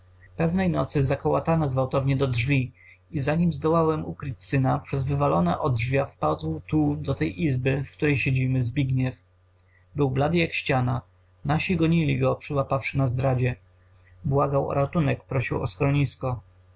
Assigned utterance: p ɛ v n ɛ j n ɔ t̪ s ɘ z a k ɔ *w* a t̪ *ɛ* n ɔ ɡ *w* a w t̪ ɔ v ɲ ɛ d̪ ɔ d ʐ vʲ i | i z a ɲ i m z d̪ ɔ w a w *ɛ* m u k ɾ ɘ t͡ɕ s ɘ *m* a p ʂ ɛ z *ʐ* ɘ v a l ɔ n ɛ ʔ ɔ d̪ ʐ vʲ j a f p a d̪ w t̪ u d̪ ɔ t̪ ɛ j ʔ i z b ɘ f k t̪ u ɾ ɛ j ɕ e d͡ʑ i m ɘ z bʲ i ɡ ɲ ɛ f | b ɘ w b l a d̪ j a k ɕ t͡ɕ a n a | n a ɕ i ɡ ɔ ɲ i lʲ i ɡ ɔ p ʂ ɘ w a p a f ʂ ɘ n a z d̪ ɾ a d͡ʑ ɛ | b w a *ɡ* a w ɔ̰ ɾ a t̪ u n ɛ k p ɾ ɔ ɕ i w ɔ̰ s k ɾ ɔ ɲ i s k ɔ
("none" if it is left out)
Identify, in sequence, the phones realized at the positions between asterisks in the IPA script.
w, a, v, ɛ, n, v, ɡ

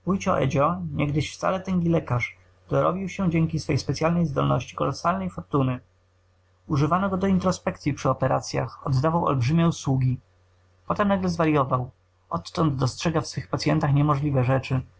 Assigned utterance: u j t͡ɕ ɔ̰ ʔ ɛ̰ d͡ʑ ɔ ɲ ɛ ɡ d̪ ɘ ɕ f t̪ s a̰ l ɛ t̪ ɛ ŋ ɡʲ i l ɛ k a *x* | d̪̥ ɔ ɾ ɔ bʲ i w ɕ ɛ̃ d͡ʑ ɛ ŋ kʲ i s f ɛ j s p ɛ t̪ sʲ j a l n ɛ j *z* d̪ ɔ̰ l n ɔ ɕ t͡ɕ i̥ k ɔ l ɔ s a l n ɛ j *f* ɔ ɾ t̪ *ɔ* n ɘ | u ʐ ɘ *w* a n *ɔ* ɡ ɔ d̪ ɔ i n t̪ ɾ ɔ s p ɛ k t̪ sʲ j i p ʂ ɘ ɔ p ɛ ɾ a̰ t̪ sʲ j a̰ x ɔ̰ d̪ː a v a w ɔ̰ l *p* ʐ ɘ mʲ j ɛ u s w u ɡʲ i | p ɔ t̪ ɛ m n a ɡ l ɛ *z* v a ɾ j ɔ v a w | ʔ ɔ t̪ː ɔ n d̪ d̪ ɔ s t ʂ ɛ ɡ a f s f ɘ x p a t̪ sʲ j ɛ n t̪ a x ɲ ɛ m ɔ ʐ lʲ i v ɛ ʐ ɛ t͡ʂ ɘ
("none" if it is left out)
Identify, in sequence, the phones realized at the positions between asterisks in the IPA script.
ʂ, z, f, u, v, ɔ, b, z

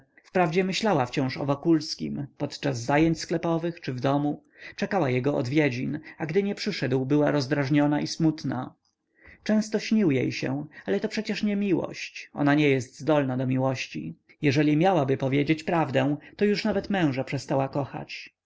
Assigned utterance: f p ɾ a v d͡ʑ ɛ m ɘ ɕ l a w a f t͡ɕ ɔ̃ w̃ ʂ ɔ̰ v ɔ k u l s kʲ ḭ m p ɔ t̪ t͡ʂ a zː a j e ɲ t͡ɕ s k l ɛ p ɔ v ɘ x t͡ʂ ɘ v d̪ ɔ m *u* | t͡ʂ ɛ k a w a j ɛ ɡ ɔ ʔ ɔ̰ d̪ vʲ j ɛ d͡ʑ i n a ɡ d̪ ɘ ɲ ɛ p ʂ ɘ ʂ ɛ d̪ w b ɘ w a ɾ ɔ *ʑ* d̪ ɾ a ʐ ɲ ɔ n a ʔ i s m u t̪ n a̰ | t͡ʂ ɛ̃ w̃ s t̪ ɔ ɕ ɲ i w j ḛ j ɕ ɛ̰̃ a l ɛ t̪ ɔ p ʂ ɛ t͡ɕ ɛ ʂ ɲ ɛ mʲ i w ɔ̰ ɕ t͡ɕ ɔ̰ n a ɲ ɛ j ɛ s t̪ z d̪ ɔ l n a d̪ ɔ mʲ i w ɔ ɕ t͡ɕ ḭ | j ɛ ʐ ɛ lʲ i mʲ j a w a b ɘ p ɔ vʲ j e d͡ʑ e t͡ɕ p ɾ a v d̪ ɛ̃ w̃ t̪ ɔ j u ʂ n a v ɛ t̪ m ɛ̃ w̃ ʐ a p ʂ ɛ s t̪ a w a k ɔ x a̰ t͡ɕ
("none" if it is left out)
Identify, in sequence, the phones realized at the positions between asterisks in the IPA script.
u, z

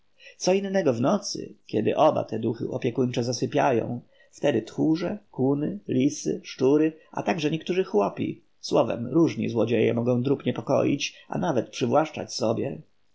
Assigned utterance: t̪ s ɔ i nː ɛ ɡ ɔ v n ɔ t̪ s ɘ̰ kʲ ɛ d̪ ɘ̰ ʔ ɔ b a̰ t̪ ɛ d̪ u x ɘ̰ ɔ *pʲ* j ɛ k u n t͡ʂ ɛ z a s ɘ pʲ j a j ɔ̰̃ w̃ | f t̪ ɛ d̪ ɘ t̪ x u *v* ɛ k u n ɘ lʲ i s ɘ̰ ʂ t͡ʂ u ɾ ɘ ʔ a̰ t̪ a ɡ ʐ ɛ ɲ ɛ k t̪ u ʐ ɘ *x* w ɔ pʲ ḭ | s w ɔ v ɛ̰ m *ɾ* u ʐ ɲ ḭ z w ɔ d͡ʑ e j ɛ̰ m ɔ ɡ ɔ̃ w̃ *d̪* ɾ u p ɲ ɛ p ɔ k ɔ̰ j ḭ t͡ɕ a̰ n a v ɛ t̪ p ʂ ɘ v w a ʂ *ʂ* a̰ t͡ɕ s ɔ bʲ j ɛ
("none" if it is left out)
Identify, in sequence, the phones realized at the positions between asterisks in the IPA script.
pʲ, ʐ, x, ɾ, d̪, t͡ʂ

